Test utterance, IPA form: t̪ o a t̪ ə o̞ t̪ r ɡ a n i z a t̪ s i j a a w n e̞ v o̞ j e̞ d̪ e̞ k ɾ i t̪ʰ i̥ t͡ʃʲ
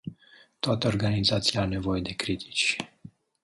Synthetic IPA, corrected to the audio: t̪ o a t̪ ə o̞ r ɡ a n i z a t̪ s i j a a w n e̞ v o̞ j e̞ d̪ e̞ k ɾ i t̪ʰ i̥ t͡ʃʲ